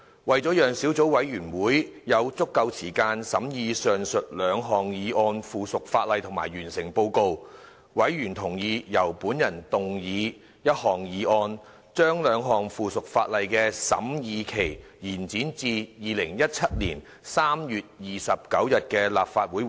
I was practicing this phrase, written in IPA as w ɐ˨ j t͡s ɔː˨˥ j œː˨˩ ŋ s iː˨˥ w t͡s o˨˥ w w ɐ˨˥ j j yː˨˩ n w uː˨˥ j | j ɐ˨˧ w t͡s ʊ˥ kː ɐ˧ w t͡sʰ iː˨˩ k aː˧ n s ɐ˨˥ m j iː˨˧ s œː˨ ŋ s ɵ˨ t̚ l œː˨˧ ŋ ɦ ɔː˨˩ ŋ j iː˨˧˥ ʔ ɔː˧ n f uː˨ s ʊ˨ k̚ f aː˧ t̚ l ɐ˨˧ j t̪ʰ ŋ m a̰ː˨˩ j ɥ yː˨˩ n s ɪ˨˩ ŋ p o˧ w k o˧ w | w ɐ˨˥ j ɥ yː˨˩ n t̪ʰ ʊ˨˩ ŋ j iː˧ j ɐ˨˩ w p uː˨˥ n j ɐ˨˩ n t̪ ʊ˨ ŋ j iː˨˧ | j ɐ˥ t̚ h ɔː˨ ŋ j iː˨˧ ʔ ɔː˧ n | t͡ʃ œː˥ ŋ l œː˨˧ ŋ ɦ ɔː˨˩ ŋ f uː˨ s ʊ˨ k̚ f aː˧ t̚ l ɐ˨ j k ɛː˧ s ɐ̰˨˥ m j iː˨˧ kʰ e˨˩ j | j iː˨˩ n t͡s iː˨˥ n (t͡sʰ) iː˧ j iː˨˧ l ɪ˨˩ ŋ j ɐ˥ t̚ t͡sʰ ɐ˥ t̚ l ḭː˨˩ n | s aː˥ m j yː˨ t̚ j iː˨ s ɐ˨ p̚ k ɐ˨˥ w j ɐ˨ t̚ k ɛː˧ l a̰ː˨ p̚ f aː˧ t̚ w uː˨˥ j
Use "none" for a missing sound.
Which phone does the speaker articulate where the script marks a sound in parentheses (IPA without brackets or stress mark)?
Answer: t͡s